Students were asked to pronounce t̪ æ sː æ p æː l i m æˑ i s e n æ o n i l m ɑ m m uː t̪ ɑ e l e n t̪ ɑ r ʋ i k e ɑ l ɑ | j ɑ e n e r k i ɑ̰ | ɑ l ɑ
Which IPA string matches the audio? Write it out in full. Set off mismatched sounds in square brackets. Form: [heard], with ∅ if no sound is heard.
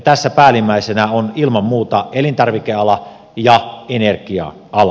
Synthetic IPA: t̪ æ sː æ p æː l i m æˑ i s e n æ o n i l m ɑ m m uː t̪ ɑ e l [i] n t̪ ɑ r ʋ i k e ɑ l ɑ | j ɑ e n e r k i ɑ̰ | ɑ l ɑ